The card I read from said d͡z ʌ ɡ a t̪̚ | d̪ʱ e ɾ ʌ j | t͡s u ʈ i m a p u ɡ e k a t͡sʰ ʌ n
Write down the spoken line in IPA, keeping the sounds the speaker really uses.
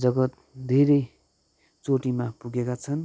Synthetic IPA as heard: d͡z ʌ ɡ ʌ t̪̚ | d̪ʱ e ɾ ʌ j | t͡s o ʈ i m a p u ɡ e k a t͡sʰ ʌ n